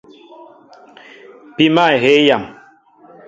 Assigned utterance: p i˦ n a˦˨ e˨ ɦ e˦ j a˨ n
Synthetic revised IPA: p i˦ m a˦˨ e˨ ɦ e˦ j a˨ m